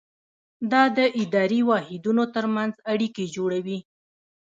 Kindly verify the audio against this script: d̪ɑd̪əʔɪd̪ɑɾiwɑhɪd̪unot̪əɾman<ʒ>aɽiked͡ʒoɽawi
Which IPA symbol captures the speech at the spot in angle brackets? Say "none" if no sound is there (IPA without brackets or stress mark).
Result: z